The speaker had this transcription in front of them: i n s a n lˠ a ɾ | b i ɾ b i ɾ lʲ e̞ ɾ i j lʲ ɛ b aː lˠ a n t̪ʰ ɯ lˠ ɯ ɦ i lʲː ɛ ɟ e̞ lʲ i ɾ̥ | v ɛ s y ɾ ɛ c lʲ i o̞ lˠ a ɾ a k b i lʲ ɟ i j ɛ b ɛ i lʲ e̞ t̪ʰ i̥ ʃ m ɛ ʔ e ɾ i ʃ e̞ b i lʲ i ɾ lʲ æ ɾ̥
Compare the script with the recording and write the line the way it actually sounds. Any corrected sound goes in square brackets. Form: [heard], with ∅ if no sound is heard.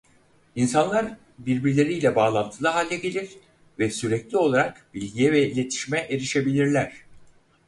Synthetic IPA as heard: i n s a n lˠ a ɾ | b i ɾ b i ɾ lʲ e̞ ɾ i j lʲ ɛ b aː lˠ a n t̪ʰ ɯ lˠ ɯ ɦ [a] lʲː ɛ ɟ e̞ lʲ i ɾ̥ | v ɛ s y ɾ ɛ c lʲ i o̞ lˠ a ɾ a k b i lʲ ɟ i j ɛ [v] ɛ i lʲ e̞ t̪ʰ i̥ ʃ m ɛ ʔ e ɾ i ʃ e̞ b i lʲ i ɾ lʲ æ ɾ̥

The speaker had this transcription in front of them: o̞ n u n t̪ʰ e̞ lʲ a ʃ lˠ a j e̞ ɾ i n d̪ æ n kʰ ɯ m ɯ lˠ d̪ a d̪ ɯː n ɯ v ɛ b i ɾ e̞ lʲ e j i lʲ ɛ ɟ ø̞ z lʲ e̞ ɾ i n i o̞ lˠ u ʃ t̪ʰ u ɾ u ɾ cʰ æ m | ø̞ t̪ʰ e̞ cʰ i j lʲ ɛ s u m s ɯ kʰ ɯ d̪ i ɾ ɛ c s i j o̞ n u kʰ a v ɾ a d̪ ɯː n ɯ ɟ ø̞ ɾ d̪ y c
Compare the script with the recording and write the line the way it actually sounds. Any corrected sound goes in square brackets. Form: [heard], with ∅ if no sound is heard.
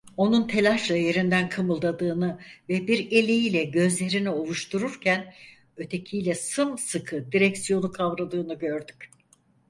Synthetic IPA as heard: o̞ n u n t̪ʰ e̞ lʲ a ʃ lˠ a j e̞ ɾ i n d̪ æ n kʰ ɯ m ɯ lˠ d̪ a d̪ ɯː n ɯ v ɛ b i ɾ e̞ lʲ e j i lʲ ɛ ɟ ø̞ z lʲ e̞ ɾ i n i o̞ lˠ u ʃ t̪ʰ u ɾ u ɾ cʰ æ [n] | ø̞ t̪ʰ e̞ cʰ i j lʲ ɛ s [ɯ] m s ɯ kʰ ɯ d̪ i ɾ ɛ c s i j o̞ n u kʰ a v ɾ a d̪ ɯː n ɯ ɟ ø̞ ɾ d̪ y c

